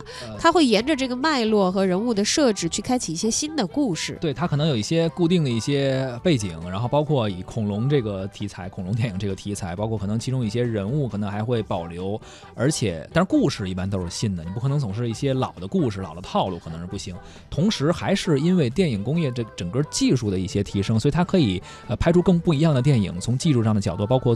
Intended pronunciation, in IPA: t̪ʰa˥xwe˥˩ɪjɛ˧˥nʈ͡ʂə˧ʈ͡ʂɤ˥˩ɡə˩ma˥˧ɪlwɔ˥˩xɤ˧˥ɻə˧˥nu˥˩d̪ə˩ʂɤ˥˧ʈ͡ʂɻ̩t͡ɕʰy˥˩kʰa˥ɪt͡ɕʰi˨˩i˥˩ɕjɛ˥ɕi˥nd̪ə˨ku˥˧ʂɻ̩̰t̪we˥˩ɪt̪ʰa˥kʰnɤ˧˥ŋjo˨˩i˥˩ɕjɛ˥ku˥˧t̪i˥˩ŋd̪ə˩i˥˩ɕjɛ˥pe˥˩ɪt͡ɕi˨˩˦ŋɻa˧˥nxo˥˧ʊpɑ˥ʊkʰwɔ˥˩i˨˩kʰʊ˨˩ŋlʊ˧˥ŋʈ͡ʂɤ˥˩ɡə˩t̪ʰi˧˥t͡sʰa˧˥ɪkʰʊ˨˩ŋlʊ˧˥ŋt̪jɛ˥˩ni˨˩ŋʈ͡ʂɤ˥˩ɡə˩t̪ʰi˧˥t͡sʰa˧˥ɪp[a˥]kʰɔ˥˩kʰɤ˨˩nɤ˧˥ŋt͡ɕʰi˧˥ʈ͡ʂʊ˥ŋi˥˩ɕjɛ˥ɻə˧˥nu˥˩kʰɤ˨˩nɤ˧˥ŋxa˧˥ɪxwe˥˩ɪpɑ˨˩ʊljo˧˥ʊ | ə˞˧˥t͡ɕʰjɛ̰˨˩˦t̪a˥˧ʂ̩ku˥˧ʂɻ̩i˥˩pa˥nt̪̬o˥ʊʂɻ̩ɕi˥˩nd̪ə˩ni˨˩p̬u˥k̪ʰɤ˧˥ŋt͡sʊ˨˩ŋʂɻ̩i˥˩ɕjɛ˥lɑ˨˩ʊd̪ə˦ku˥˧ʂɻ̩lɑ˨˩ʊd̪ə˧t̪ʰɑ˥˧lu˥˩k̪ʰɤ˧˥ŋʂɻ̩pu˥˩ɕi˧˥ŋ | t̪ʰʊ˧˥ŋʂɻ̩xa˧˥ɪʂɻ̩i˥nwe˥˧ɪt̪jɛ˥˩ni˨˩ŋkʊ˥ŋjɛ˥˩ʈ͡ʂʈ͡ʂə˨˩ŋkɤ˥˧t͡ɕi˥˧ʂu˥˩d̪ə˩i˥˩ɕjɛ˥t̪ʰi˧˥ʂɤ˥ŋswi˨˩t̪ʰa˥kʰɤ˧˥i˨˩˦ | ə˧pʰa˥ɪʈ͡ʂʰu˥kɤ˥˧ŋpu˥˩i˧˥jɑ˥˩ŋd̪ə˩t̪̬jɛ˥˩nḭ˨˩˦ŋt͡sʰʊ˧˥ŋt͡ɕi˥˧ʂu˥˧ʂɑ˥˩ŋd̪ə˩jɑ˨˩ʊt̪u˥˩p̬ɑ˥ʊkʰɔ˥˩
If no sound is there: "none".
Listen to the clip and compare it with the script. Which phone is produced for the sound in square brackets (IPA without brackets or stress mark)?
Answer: ɑ˥